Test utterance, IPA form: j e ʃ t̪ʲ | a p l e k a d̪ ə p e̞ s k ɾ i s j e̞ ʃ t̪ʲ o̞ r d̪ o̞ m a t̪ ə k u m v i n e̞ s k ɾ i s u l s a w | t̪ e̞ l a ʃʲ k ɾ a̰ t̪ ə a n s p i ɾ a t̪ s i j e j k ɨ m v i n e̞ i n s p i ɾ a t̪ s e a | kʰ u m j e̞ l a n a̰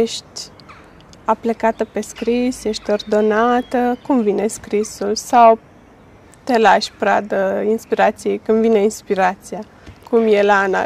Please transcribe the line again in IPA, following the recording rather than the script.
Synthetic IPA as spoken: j e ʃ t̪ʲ | a p l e k a t̪ ə p e̞ s k ɾ i s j e̞ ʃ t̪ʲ o̞ r d̪ o̞ n a t̪ ə k u m v i n e̞ s k ɾ i s u l s a w | t̪ e̞ l a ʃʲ p ɾ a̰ d̪ ə i n s p i ɾ a t̪ s i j e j k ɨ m v i n e̞ i n s p i ɾ a t̪ s i a | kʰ u m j e̞ l a n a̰